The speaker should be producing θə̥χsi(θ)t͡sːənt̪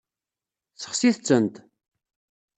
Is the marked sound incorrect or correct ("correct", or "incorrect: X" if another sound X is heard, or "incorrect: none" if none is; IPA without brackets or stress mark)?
correct